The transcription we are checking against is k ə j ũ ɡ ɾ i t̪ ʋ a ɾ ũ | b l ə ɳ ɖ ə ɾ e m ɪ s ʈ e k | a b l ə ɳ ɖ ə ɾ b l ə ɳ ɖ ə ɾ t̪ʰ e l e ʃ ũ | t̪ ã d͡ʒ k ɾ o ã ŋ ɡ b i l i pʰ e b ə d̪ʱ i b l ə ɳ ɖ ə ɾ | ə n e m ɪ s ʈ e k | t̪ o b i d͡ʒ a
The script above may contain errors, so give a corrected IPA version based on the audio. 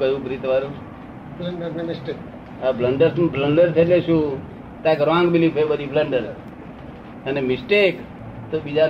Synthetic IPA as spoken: k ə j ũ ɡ ɾ i t̪ ʋ a ɾ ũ | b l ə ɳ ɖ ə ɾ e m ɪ s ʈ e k | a b l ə ɳ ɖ ə ɾ b l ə ɳ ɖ ə ɾ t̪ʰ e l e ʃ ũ | t̪ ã k ɾ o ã ŋ ɡ b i l i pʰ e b ə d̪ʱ i b l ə ɳ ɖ ə ɾ | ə n e m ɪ s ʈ e k | t̪ o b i d͡ʒ a